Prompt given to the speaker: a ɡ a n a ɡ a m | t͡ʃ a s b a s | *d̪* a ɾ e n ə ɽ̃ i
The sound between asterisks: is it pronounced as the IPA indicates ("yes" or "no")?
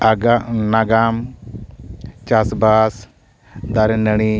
yes